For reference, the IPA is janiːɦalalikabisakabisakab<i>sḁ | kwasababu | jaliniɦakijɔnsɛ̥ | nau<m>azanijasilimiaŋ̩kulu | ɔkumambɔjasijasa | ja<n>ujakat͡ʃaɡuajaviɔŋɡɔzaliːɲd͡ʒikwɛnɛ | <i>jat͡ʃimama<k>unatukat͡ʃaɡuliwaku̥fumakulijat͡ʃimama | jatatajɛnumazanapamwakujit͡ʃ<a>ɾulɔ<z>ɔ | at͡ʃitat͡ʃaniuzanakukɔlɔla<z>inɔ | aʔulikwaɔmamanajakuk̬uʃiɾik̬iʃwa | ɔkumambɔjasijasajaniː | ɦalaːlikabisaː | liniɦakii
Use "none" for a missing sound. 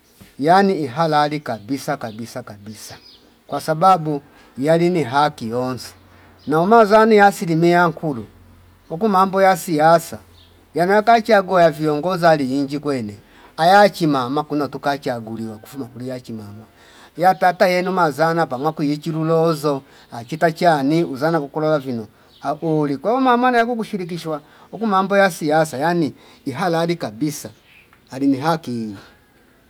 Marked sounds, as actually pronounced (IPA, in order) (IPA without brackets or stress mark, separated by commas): i, m, n, a, k, i, z, v